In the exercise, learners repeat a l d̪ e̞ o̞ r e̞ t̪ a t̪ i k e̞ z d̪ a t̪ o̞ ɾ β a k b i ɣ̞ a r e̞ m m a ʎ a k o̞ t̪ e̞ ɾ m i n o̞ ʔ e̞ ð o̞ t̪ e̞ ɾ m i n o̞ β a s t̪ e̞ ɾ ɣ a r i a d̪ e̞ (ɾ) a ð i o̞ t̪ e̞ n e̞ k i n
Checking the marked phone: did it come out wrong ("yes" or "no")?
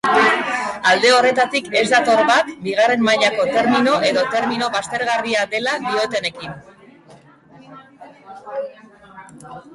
yes